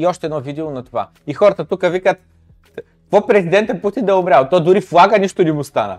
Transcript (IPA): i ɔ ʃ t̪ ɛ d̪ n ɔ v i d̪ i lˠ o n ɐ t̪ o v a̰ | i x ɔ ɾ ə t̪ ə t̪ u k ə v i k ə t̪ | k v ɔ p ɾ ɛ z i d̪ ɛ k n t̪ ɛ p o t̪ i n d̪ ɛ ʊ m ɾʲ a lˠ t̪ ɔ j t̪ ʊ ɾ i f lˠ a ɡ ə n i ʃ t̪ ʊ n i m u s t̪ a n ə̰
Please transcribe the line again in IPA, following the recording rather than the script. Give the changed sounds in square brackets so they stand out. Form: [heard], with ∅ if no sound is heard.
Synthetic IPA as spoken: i ɔ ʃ t̪ ɛ d̪ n ɔ v i d̪ i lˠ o n ɐ t̪ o v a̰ | i x ɔ ɾ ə t̪ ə t̪ u k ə v i k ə t̪ | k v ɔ p ɾ ɛ z i d̪ ɛ [∅] n t̪ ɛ p [u] t̪ i n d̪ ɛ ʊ m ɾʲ a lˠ t̪ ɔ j [d̪] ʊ ɾ i f lˠ a ɡ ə n i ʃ t̪ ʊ n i m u s t̪ a n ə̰